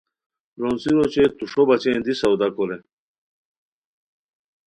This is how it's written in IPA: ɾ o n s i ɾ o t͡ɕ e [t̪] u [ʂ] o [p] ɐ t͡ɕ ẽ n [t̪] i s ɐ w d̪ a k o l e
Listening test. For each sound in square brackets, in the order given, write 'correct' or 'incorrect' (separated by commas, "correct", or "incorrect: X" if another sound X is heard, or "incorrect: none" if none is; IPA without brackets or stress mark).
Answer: correct, correct, incorrect: b, incorrect: d̪